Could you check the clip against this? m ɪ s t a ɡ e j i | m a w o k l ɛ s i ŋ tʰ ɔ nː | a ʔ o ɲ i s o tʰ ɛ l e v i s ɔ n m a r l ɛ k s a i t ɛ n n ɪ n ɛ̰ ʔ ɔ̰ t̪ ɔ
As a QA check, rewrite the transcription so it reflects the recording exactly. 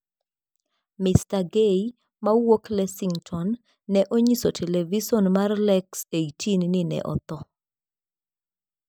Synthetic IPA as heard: m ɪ s t a ɡ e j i | m a w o k l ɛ s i ŋ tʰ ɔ nː | ɛ ʔ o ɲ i s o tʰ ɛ l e v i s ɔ n m a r l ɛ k s e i t i n n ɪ n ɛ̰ ʔ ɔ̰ t̪ ɔ